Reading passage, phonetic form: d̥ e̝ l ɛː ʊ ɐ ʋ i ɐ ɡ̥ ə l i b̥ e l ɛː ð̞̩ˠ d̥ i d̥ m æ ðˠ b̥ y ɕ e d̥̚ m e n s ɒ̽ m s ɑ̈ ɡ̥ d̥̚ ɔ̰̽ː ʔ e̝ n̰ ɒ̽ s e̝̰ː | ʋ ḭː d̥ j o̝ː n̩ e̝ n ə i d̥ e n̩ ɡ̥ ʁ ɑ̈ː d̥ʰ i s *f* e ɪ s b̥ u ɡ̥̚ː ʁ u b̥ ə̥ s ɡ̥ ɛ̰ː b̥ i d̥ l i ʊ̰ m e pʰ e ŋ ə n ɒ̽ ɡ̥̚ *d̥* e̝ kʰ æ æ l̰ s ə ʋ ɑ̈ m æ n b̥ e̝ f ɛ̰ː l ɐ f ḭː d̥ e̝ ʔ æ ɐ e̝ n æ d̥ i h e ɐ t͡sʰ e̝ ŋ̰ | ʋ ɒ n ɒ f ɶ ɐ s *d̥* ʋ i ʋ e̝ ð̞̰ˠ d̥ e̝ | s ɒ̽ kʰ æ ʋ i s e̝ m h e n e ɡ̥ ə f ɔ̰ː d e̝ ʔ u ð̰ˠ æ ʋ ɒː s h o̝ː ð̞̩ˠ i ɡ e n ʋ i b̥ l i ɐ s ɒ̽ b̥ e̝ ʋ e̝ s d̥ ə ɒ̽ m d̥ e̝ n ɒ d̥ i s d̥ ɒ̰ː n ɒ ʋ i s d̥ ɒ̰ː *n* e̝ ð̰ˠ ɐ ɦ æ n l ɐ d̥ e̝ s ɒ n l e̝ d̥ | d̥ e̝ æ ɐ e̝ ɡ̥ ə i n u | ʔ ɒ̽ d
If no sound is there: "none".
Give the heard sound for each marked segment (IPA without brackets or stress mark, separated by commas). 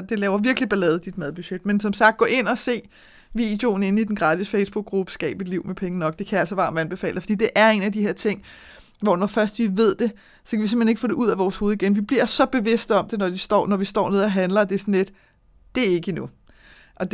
f, d̥, d̥, n